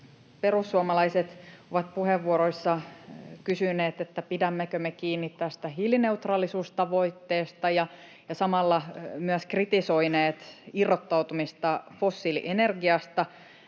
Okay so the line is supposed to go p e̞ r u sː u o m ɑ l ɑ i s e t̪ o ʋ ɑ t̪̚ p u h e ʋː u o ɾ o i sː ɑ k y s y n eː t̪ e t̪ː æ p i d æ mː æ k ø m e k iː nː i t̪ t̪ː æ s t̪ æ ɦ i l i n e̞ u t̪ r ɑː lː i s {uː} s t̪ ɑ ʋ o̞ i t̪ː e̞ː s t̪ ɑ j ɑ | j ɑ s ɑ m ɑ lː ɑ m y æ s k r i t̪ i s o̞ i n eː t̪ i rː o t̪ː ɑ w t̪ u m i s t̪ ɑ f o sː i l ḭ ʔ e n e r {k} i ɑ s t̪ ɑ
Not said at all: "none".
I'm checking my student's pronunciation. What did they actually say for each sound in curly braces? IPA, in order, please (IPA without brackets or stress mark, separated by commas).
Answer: uː, ɡ